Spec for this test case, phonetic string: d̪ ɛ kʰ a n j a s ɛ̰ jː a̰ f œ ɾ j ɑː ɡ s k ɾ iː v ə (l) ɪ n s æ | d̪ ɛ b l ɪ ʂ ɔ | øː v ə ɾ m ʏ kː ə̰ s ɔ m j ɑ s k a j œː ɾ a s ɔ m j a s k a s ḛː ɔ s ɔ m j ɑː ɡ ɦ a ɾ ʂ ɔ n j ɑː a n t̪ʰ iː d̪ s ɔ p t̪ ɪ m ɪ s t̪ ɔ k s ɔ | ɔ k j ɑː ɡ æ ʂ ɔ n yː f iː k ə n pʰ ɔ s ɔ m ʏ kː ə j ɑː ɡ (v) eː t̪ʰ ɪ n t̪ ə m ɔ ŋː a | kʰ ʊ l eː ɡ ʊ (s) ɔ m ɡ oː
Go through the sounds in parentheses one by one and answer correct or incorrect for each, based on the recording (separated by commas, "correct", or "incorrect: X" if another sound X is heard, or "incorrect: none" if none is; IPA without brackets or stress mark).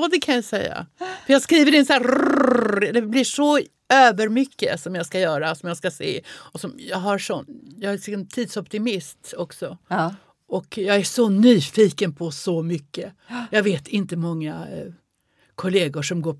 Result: incorrect: ɾ, correct, incorrect: ʂ